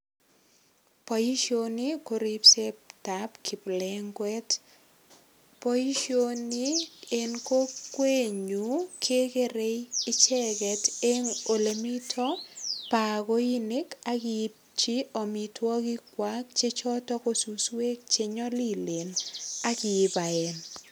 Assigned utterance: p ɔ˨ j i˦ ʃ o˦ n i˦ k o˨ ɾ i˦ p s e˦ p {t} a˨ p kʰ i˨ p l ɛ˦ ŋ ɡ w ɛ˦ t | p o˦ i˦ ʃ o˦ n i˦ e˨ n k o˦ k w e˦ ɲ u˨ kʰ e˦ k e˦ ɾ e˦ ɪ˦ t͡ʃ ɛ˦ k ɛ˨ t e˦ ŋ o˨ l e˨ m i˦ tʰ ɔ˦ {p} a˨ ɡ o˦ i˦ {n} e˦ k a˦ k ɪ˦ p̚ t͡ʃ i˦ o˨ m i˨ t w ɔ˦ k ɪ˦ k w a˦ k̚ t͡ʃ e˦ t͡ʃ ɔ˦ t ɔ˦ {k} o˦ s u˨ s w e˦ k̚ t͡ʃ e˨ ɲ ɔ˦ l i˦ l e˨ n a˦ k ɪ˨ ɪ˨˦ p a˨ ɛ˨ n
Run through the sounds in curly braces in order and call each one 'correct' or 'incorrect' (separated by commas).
correct, correct, correct, correct